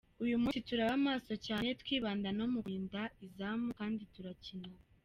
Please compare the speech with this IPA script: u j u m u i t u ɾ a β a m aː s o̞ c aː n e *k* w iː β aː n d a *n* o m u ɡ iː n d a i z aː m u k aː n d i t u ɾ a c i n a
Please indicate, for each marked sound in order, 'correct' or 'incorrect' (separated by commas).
incorrect, correct